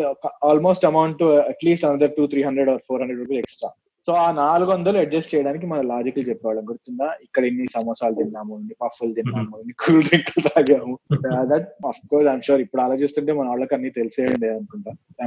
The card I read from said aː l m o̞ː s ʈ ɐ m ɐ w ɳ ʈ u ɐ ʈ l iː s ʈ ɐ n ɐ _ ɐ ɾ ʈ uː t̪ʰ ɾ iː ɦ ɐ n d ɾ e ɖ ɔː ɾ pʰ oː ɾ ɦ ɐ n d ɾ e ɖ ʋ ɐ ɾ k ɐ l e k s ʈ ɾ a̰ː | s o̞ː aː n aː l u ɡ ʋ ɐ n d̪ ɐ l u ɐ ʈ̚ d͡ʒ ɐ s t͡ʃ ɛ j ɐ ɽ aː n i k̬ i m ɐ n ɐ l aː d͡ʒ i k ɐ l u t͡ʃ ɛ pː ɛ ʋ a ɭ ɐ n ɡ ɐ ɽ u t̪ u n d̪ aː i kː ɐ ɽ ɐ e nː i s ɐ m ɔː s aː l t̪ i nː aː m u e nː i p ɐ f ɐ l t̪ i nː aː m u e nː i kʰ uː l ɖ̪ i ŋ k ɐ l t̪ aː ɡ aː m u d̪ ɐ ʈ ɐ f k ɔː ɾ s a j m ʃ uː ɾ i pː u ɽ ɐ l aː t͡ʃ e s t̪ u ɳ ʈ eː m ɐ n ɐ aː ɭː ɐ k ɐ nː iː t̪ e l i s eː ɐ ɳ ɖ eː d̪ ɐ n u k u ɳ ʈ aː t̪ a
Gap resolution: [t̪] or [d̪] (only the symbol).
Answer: d̪